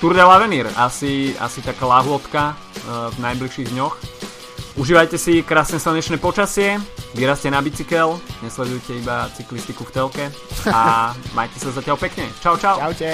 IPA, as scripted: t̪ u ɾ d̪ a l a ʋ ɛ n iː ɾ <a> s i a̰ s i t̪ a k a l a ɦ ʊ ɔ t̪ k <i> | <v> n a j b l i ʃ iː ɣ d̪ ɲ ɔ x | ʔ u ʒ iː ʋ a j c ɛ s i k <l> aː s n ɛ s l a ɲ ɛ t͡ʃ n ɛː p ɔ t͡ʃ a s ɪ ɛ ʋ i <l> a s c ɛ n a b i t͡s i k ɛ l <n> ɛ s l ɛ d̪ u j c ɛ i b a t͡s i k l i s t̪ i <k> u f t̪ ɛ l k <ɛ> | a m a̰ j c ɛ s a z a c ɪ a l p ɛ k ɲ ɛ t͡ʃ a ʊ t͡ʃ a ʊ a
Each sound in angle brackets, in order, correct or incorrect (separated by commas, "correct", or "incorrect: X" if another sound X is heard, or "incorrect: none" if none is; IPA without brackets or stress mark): correct, incorrect: a, correct, incorrect: ɾ, incorrect: ɾ, incorrect: ɲ, correct, correct